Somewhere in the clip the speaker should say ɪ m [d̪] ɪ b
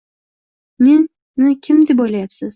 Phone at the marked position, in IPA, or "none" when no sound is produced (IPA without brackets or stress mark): d̪